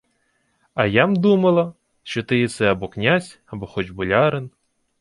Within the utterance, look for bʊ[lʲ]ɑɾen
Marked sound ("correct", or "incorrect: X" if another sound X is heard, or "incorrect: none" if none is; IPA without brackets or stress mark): correct